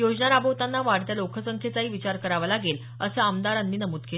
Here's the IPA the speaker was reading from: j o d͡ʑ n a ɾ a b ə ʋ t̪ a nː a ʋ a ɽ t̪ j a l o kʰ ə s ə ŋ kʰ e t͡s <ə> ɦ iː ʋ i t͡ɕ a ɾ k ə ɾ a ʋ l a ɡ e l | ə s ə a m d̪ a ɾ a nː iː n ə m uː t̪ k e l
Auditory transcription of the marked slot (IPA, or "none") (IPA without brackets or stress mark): a